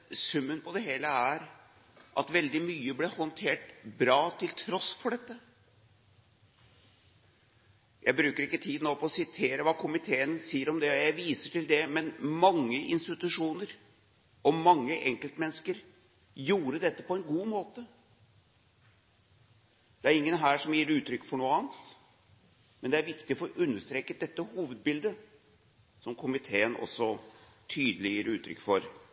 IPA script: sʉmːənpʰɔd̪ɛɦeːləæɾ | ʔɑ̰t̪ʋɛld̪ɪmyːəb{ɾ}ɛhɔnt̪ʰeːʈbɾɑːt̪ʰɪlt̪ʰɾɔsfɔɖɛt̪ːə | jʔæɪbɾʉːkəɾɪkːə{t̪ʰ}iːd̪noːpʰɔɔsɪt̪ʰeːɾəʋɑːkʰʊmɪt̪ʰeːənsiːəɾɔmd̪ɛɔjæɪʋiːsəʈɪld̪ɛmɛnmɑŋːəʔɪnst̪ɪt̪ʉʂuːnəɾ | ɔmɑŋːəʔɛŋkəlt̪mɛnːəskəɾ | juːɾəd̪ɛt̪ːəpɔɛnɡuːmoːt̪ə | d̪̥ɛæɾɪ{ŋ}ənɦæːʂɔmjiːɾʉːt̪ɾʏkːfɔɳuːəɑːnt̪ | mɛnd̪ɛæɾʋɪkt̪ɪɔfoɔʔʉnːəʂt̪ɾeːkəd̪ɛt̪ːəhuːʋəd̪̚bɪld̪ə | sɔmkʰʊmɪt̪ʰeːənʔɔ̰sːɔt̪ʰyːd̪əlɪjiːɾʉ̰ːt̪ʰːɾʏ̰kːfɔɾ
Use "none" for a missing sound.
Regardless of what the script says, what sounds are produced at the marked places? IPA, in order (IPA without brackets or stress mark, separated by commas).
l, t̪ʰ, ŋː